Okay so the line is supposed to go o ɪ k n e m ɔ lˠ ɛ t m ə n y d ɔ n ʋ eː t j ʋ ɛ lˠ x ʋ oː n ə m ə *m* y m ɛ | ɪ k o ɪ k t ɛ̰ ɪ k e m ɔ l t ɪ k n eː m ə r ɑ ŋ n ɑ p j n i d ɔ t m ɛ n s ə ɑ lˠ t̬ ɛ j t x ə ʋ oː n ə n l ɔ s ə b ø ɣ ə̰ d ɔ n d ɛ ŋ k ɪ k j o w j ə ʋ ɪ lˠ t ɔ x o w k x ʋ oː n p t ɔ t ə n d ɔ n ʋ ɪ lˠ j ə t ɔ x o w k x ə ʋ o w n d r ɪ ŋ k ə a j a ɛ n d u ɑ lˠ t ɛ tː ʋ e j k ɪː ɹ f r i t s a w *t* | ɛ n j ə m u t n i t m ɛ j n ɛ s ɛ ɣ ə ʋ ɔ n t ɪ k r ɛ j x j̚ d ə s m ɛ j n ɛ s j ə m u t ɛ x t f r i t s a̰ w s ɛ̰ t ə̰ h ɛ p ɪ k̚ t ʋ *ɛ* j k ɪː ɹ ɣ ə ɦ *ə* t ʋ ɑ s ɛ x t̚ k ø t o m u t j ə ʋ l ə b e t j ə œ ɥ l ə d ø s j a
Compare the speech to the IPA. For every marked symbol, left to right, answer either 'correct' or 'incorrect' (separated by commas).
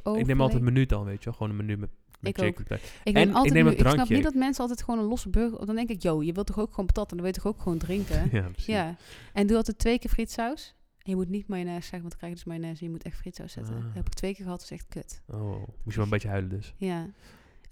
incorrect, incorrect, incorrect, incorrect